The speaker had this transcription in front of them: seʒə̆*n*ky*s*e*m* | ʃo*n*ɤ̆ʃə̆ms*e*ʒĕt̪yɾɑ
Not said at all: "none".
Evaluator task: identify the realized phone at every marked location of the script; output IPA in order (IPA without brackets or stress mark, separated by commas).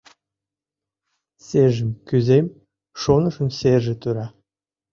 m, z, m, n, e